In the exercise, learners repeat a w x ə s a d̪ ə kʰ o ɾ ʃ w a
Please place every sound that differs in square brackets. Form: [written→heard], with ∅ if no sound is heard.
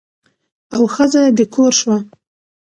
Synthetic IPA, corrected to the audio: a w x ə [s→z] a d̪ ə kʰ o ɾ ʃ w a